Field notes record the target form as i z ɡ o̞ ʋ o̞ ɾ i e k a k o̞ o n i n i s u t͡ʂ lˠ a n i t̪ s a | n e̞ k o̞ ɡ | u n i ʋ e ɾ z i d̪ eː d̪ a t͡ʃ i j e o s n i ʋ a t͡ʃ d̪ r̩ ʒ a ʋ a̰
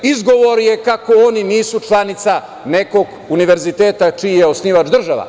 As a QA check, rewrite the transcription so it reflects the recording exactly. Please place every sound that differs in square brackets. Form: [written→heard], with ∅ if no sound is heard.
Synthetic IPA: i z ɡ o̞ ʋ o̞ ɾ [i→j] e k a k o̞ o n i n [i→iː] s u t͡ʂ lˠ a n i t̪ s a | n e̞ k o̞ ɡ | u n i ʋ e ɾ z i [d̪→t̪] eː [d̪→t̪] a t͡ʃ i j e o s n i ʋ a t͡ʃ d̪ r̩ ʒ a ʋ a̰